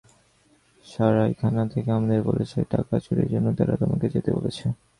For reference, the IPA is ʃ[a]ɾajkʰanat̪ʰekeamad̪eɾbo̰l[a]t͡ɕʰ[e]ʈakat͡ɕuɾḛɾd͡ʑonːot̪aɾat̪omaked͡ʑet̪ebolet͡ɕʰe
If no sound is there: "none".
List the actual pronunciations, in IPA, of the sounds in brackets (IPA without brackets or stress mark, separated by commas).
a, e, e